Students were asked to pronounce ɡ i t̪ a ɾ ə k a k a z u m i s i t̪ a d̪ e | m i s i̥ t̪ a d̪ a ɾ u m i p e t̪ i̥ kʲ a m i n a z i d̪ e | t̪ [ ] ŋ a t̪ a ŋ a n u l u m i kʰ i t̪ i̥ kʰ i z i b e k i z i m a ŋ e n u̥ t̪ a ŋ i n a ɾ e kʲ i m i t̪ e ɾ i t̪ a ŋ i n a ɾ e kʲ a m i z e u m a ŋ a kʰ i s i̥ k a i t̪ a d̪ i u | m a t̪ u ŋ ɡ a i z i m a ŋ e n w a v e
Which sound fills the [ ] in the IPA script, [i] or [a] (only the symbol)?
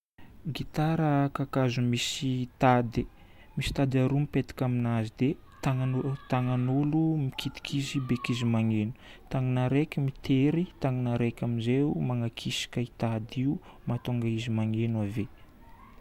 a